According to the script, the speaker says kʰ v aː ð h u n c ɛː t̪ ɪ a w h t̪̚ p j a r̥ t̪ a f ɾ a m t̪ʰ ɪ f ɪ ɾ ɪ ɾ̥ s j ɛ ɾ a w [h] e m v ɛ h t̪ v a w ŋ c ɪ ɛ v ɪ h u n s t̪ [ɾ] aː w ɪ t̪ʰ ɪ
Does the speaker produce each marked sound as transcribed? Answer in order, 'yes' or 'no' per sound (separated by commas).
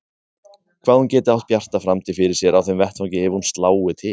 no, no